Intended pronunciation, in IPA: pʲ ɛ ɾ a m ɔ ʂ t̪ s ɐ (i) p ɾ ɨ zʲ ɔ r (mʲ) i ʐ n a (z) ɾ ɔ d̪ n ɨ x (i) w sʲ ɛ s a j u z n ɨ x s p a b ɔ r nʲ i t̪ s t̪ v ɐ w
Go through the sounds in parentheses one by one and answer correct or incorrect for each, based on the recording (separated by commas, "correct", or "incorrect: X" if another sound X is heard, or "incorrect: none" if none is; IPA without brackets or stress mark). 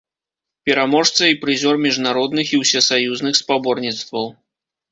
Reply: correct, correct, incorrect: none, correct